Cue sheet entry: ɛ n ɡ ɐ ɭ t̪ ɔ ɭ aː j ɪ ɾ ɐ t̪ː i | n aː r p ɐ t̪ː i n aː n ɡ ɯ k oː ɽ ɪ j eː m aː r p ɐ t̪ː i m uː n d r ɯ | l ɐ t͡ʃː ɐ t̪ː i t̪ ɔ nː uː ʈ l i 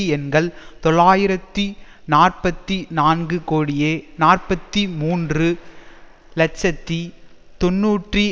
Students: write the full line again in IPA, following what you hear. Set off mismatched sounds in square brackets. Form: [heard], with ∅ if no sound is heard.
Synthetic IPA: ɛ n ɡ ɐ ɭ t̪ ɔ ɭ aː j ɪ ɾ ɐ t̪ː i | n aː r p ɐ t̪ː i n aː n ɡ ɯ k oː ɽ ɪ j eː [n] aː r p ɐ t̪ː i m uː n d r ɯ | l ɐ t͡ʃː ɐ t̪ː i t̪ ɔ nː uː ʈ [r] i